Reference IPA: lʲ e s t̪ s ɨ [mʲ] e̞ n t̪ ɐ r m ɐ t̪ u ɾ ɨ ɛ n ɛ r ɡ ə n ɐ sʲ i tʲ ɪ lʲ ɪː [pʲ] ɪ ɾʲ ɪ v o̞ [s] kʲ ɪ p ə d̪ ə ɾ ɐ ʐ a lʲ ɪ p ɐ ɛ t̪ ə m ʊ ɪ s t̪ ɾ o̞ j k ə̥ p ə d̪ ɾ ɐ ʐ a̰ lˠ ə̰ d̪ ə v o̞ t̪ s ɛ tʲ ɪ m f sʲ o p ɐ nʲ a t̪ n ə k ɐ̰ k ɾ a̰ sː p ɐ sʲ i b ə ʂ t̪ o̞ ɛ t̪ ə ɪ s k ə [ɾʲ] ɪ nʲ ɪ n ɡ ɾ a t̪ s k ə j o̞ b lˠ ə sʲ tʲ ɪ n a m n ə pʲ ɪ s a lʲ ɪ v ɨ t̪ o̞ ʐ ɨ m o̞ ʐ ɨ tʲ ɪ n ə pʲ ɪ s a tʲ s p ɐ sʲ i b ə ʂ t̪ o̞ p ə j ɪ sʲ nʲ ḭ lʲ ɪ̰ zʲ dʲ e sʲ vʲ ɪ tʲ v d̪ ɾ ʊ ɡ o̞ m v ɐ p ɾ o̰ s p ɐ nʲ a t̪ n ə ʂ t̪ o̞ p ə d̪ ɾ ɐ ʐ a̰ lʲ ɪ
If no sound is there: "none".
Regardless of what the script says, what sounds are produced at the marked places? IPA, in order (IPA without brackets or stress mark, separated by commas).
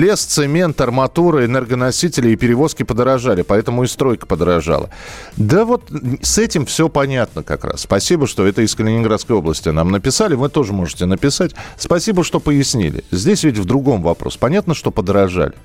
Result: mʲ, pʲ, s, lʲ